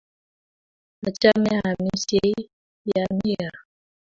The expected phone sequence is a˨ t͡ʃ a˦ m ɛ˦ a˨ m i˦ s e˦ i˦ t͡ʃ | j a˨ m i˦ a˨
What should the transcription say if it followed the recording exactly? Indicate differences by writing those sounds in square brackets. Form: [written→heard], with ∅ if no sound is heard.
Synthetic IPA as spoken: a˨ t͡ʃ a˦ m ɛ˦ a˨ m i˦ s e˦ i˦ [t͡ʃ→∅] | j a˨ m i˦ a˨